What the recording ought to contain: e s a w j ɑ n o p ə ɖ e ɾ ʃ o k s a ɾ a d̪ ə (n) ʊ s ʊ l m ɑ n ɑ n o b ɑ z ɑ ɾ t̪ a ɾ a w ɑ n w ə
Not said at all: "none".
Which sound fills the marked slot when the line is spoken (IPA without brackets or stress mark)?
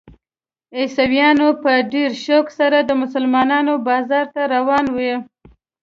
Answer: m